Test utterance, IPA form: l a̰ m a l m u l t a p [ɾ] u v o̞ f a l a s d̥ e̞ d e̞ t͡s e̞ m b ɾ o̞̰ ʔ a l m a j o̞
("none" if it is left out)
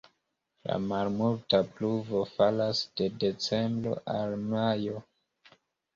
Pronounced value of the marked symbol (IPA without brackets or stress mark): l